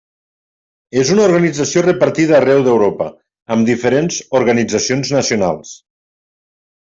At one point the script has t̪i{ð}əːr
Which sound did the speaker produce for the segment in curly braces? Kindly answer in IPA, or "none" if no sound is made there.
ð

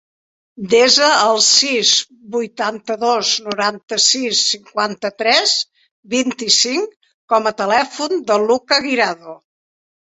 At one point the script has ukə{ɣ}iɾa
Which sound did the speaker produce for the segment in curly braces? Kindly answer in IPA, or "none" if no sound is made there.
ɣ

